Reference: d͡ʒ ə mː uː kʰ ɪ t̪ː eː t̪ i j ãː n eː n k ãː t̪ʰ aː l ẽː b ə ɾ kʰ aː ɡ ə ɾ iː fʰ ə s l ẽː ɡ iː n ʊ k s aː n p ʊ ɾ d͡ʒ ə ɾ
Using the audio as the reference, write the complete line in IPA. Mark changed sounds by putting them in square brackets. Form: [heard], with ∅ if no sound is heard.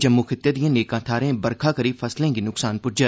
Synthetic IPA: d͡ʒ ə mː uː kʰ ɪ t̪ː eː [d̪] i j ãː n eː [∅] k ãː t̪ʰ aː [ɾ] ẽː b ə ɾ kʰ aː [k] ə ɾ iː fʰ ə s l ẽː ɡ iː n ʊ k s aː n p ʊ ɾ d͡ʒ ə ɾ